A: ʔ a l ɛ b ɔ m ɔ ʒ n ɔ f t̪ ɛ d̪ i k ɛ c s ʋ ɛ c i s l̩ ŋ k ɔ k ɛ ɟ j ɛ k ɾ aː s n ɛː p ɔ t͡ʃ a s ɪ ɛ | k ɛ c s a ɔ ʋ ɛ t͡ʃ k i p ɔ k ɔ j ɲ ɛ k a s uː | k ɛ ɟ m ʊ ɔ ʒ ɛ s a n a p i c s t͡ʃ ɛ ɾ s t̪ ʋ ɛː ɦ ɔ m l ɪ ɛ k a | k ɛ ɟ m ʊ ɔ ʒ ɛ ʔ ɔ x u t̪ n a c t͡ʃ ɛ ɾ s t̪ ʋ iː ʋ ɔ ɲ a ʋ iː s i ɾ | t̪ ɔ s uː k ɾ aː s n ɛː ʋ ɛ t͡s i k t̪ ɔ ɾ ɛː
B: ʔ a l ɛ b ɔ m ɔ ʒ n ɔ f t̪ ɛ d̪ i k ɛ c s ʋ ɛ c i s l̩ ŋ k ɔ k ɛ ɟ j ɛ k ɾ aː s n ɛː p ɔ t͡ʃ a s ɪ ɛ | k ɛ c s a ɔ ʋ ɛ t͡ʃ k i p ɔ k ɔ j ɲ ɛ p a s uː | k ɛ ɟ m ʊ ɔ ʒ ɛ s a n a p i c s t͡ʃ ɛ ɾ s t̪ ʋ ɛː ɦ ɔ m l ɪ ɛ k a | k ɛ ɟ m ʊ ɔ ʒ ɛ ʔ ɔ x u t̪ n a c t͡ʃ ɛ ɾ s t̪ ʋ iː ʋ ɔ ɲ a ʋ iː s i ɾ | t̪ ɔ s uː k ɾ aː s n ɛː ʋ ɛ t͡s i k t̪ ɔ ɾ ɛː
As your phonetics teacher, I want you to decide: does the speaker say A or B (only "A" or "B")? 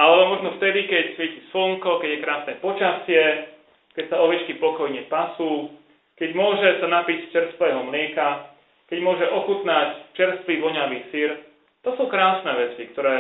B